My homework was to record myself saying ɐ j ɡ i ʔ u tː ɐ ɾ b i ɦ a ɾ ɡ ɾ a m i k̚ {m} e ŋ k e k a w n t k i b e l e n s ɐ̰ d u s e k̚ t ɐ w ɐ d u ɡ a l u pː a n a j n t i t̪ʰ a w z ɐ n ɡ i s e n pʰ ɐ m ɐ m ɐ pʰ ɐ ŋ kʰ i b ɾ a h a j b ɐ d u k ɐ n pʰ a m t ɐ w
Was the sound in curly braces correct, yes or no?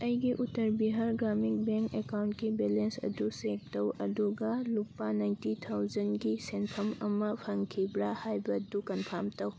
no